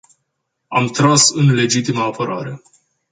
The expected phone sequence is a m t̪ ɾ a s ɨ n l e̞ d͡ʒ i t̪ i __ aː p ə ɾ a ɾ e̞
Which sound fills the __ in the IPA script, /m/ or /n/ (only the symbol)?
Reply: m